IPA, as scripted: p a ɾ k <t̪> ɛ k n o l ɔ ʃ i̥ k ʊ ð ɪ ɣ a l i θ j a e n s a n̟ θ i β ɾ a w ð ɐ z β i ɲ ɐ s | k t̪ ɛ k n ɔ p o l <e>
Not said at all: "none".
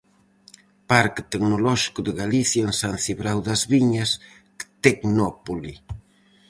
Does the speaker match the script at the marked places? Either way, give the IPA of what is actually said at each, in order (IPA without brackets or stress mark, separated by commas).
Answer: t̪, i